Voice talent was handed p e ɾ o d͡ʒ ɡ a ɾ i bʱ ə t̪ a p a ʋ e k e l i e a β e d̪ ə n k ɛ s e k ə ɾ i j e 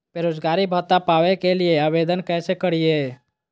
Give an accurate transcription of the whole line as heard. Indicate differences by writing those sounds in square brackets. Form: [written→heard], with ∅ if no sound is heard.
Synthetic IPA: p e ɾ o d͡ʒ ɡ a ɾ i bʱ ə t̪ a p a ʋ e k e l i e a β e d̪ ə n k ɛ s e k ə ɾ i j e